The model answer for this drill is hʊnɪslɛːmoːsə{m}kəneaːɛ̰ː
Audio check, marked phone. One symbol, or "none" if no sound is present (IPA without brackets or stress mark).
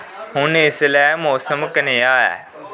m